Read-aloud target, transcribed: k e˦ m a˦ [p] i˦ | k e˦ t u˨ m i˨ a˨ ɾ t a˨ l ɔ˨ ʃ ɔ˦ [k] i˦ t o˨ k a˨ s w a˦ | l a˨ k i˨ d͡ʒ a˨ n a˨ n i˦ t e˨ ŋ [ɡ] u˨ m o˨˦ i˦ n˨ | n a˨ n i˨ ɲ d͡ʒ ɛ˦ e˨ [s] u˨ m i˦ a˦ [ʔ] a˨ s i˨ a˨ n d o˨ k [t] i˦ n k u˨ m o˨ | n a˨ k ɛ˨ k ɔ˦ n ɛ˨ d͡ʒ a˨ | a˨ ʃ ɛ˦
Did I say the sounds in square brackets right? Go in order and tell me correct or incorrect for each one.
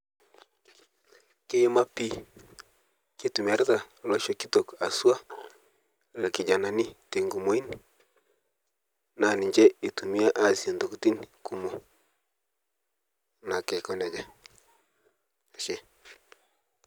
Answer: correct, correct, correct, incorrect: t, correct, correct

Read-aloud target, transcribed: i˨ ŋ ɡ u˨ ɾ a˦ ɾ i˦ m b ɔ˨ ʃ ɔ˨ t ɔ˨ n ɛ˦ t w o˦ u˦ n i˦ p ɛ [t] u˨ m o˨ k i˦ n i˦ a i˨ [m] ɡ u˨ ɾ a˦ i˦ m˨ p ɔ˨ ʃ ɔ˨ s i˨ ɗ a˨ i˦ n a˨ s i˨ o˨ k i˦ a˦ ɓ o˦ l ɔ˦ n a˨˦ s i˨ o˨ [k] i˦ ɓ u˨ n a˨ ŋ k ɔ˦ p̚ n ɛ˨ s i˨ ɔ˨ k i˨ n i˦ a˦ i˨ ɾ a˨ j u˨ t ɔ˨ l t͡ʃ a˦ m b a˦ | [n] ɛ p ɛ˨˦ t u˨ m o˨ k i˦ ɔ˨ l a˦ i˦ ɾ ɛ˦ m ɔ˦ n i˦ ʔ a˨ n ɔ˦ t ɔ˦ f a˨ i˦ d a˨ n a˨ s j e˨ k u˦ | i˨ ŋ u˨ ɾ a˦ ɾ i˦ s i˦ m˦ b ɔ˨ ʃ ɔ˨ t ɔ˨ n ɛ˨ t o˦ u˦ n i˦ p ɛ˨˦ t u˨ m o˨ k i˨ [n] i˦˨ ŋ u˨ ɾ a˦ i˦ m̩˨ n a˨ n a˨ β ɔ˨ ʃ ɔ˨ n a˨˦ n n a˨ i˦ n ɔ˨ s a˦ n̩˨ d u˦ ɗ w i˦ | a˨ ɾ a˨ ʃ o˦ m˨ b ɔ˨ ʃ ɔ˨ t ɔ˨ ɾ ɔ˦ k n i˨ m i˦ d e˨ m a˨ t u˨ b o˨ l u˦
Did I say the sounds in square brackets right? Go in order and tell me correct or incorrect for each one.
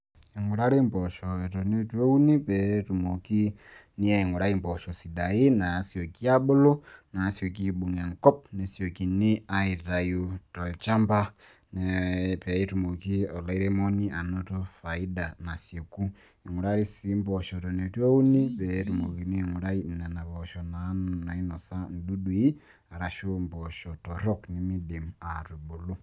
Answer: correct, incorrect: ŋ, correct, correct, correct

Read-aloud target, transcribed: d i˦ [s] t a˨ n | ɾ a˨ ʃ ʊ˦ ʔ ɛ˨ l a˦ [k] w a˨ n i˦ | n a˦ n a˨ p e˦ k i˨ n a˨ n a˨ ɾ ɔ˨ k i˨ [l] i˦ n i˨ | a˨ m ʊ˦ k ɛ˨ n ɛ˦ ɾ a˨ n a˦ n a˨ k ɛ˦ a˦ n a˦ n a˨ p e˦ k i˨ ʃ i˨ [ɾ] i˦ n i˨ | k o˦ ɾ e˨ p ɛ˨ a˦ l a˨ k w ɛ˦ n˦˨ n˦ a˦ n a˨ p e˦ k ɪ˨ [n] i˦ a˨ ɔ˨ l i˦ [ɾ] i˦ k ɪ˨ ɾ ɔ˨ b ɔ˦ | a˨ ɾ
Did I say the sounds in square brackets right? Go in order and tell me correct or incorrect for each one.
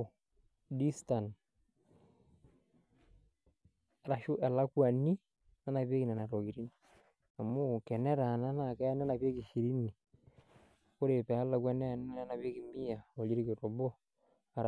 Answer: correct, correct, incorrect: ɾ, correct, incorrect: m, correct

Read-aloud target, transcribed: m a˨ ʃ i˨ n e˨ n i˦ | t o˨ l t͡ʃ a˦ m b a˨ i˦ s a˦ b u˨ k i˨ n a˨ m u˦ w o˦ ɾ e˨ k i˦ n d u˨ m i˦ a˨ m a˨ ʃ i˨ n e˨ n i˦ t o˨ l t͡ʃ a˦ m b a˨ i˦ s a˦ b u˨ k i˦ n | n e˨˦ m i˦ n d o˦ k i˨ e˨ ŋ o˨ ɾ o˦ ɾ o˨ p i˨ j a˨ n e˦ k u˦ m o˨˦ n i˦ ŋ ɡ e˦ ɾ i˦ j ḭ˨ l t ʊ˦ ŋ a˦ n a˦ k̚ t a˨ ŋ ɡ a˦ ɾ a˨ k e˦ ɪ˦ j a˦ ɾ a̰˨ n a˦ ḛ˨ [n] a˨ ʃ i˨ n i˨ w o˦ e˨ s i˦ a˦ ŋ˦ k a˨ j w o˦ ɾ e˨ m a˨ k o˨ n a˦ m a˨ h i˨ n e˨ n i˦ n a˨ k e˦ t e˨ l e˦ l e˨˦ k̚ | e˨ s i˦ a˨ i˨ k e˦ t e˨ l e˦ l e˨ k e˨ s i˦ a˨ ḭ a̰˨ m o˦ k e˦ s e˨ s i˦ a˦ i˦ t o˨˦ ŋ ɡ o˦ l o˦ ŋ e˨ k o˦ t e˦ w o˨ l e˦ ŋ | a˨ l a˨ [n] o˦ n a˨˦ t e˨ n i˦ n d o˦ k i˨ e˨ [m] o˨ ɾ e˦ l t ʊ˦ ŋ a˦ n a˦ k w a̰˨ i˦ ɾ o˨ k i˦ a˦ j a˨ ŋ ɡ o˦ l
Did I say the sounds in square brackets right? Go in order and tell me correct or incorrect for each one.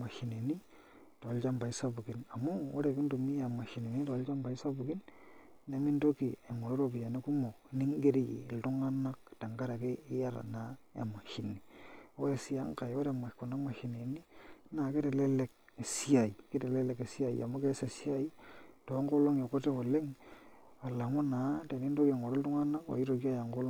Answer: incorrect: m, incorrect: ŋ, incorrect: ŋ

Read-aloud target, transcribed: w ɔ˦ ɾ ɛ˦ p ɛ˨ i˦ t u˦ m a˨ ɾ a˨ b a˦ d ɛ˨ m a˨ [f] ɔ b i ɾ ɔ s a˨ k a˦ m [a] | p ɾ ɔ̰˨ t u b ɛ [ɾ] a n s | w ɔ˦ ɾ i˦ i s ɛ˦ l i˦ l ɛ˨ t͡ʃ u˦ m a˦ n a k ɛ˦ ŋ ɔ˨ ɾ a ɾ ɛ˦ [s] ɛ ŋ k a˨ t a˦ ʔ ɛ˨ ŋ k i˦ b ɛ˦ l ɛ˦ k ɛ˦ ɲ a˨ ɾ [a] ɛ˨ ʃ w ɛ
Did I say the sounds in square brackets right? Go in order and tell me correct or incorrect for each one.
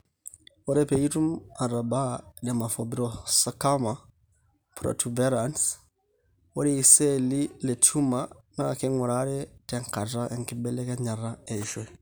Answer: correct, correct, correct, incorrect: t, correct

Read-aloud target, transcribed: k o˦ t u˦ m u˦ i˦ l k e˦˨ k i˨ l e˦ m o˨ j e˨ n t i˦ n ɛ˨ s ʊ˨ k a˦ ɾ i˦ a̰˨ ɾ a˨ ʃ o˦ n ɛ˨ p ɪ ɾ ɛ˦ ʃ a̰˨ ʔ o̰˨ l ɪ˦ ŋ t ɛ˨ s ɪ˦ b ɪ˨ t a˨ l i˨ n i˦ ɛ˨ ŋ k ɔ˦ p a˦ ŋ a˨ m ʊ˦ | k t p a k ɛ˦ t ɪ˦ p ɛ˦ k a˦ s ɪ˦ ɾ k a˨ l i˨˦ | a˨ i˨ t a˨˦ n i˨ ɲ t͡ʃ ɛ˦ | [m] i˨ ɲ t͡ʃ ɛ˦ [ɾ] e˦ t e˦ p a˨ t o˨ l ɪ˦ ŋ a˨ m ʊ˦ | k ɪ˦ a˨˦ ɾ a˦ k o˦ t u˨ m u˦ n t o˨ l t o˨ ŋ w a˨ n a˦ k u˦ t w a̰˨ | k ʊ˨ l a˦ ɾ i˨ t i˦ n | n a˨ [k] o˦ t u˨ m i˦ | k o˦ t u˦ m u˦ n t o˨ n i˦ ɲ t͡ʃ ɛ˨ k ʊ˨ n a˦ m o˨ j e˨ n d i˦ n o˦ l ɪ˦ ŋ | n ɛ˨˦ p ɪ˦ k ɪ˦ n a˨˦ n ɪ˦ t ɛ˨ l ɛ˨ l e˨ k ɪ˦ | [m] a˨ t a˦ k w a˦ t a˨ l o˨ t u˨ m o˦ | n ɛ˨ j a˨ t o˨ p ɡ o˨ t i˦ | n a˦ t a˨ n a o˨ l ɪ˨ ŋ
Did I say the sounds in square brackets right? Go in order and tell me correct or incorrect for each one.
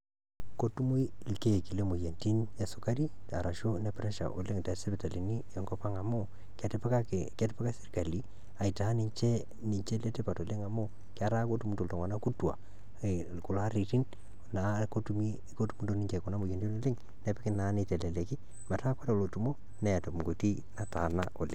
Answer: incorrect: n, incorrect: l, correct, correct

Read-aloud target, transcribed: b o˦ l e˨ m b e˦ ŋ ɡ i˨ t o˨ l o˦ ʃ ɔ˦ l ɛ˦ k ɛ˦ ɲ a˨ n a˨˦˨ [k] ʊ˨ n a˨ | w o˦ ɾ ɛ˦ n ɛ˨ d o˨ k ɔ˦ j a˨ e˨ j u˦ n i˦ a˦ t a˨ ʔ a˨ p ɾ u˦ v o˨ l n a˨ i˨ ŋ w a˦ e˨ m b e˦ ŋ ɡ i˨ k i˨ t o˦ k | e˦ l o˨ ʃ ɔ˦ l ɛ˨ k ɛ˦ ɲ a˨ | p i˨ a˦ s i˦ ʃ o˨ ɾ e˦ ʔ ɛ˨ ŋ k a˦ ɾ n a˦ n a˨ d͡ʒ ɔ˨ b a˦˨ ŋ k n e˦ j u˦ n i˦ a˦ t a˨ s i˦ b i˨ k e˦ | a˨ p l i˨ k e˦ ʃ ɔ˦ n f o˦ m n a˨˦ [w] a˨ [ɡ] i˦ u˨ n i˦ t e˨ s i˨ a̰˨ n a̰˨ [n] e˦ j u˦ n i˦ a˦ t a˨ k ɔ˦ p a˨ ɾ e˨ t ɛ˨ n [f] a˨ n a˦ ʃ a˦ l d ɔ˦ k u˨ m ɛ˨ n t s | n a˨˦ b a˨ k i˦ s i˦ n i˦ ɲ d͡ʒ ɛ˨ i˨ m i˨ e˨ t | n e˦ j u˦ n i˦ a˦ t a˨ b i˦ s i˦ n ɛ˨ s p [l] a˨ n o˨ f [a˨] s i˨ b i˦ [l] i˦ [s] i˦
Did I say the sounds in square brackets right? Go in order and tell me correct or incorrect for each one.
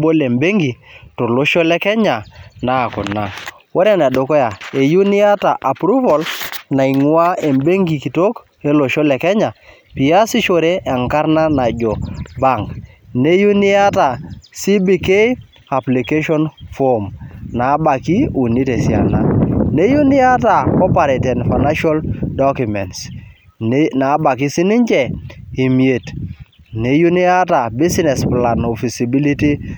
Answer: correct, incorrect: b, incorrect: k, correct, correct, correct, incorrect: i˨, correct, incorrect: t

